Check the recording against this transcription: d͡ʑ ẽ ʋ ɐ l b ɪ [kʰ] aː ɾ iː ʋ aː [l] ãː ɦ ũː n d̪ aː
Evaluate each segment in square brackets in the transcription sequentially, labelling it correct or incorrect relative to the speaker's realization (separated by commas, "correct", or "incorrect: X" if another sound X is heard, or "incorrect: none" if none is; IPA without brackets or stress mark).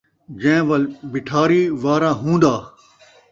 incorrect: ʈʰ, incorrect: ɾ